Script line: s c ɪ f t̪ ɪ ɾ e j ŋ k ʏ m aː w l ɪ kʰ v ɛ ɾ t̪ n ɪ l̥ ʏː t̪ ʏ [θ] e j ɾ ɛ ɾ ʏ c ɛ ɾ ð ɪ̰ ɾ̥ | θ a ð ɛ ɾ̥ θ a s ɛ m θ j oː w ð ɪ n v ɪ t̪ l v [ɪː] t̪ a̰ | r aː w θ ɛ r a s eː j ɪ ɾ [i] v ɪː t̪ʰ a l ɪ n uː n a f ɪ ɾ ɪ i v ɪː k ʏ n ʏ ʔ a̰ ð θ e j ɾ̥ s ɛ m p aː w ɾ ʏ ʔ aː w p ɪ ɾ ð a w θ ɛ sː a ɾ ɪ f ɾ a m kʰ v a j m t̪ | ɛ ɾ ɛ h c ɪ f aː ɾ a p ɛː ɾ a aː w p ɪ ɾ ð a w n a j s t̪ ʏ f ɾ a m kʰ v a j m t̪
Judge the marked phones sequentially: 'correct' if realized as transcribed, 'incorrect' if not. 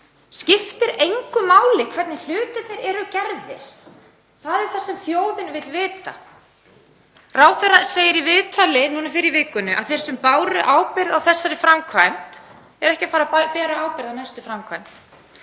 correct, correct, correct

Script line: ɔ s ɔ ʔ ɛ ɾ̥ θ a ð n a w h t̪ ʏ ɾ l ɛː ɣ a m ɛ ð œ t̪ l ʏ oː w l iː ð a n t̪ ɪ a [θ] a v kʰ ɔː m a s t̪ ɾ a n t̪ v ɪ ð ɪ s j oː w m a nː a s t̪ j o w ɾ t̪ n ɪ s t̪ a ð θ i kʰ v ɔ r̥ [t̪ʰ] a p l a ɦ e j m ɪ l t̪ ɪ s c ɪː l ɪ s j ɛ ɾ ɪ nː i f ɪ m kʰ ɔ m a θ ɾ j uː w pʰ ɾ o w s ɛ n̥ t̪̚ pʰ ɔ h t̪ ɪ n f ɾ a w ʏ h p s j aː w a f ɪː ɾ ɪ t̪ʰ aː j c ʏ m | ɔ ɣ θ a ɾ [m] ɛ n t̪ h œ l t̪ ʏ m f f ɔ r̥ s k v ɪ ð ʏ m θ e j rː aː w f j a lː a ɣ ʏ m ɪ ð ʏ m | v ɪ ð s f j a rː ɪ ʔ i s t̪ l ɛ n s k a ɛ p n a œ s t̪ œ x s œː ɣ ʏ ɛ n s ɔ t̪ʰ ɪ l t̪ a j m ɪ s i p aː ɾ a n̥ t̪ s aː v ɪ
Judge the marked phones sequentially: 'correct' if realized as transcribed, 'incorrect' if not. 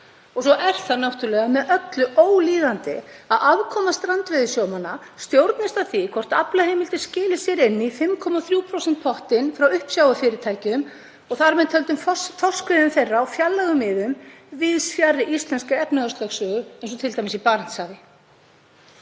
incorrect, incorrect, correct

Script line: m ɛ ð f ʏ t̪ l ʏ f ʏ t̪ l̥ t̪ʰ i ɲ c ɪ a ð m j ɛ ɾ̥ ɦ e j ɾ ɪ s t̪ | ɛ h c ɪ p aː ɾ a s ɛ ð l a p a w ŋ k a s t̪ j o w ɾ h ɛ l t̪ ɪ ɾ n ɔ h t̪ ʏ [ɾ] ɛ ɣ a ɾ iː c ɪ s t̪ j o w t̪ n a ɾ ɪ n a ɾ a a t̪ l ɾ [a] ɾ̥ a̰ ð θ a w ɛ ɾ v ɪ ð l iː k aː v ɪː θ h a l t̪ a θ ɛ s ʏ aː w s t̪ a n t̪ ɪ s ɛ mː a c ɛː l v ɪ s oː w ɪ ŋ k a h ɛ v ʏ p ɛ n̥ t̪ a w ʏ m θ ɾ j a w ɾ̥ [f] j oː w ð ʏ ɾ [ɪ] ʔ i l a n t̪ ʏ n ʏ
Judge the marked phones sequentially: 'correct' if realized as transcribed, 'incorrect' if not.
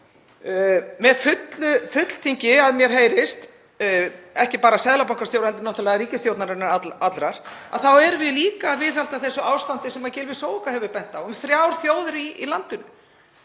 incorrect, correct, incorrect, incorrect

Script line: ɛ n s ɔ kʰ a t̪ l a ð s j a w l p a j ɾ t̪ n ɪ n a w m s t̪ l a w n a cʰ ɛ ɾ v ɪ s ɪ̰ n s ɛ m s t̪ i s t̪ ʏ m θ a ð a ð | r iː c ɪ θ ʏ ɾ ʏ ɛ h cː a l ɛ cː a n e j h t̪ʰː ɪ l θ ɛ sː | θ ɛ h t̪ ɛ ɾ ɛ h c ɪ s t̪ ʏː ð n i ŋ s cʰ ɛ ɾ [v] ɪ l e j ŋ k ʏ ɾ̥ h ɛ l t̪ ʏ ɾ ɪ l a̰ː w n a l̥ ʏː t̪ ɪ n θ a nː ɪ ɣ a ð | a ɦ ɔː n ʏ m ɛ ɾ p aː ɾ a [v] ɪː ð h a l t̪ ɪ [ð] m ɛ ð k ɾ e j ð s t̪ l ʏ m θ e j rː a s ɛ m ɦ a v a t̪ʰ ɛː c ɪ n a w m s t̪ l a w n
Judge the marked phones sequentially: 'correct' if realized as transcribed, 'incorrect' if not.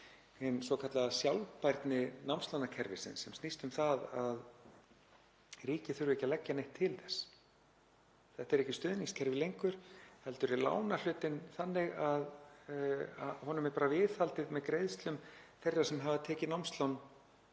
correct, correct, correct

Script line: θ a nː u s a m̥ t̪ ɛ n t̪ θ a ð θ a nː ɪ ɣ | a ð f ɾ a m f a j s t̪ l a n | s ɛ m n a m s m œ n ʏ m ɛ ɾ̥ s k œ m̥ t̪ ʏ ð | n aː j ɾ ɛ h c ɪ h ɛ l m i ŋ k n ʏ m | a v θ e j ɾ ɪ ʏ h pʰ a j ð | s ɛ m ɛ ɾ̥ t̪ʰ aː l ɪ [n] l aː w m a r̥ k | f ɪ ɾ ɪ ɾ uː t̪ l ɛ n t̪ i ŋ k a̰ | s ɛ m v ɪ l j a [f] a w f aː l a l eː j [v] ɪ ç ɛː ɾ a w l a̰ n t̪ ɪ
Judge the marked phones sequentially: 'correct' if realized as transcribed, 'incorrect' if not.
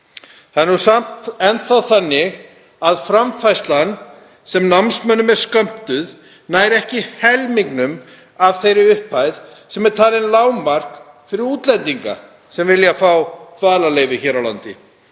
correct, correct, correct

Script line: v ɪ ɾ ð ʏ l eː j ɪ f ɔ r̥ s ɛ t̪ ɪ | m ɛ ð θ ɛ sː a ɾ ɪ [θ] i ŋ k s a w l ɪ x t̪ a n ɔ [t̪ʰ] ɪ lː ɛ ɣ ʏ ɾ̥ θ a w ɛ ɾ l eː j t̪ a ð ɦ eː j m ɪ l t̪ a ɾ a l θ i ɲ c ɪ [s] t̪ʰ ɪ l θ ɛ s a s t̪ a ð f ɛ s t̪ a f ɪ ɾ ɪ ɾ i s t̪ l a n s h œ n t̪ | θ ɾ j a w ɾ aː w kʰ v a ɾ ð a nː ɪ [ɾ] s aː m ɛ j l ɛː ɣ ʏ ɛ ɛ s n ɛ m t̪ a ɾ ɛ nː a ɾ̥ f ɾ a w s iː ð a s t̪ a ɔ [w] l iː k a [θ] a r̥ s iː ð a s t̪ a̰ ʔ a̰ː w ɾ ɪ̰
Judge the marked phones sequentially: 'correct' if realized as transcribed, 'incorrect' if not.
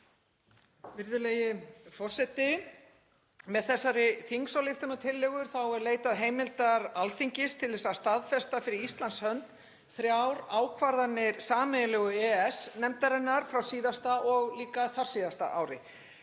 correct, correct, correct, correct, incorrect, correct

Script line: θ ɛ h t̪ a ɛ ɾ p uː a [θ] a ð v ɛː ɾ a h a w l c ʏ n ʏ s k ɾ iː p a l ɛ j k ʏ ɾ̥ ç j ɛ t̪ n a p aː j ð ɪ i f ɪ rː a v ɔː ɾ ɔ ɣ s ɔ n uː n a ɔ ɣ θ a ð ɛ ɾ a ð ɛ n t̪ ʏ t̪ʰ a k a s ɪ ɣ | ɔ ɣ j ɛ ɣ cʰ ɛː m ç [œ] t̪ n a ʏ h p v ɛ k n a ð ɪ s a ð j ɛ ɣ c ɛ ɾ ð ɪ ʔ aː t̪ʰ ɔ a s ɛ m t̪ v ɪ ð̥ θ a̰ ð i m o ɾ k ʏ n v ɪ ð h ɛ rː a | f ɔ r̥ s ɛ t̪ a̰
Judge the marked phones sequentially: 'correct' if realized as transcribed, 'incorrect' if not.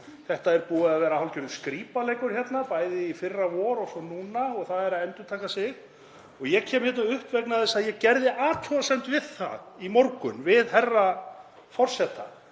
incorrect, incorrect

